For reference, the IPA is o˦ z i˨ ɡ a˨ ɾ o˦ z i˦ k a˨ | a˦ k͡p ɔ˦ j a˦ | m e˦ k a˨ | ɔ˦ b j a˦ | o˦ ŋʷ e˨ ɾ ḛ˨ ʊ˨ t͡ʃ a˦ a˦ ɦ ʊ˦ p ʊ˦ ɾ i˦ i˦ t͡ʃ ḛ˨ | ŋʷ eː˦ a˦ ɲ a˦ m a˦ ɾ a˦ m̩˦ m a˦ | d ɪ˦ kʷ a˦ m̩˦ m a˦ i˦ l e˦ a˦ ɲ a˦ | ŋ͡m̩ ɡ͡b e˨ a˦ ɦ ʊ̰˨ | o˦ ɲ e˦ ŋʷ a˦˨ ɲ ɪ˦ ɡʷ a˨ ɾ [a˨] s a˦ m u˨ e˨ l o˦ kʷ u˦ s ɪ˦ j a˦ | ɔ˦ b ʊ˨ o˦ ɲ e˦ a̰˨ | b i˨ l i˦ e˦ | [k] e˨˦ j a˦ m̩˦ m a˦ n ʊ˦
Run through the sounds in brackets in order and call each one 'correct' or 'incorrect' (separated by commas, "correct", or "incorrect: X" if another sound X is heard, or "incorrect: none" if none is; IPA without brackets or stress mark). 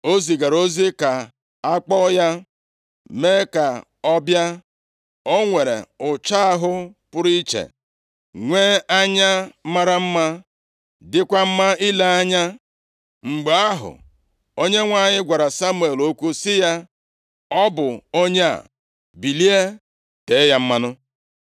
correct, incorrect: t